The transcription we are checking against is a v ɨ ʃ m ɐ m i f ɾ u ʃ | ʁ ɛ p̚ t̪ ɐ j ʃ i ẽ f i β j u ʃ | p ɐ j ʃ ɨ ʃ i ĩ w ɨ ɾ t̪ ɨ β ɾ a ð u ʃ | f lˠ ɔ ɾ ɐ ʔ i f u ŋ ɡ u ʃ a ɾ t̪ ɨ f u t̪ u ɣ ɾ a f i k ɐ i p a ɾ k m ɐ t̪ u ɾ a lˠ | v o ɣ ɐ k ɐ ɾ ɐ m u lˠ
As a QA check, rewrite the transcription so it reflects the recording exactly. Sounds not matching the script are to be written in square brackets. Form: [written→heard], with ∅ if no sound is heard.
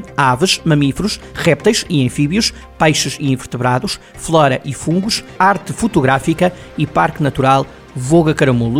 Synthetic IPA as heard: a v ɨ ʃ m ɐ m i f ɾ u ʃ | ʁ ɛ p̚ t̪ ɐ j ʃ i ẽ f i β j u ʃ | p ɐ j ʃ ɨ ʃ i ĩ [w→v] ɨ ɾ t̪ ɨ β ɾ a ð u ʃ | f lˠ ɔ ɾ ɐ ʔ i f [u→ũ] ŋ ɡ u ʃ a ɾ t̪ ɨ f u t̪ u ɣ ɾ a f i k ɐ i p a ɾ k [m→n] ɐ t̪ u ɾ a lˠ | v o ɣ ɐ k ɐ ɾ ɐ m u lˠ